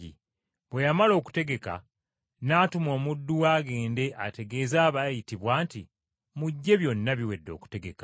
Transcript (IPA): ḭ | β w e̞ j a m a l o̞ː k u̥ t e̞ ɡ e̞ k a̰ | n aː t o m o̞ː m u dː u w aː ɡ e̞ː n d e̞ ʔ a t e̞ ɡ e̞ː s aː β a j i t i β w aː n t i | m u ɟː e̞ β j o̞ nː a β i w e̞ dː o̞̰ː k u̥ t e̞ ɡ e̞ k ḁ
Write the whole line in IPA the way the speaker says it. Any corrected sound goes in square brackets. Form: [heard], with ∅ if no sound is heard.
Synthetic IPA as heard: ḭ | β w e̞ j a m a l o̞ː k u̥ t e̞ ɡ e̞ k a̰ | n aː t [u] m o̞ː m u dː u w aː ɡ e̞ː n d e̞ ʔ a t e̞ ɡ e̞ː [z] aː β a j i t i β w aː n t i | m u ɟː e̞ β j o̞ nː a β i w e̞ dː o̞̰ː k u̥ t e̞ ɡ e̞ k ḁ